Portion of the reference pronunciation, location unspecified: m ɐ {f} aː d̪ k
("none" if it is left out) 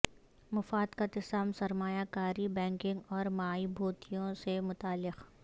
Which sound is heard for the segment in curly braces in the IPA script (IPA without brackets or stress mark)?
f